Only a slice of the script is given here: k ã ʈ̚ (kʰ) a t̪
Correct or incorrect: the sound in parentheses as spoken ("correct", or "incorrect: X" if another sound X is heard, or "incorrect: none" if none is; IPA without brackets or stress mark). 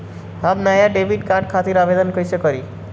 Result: correct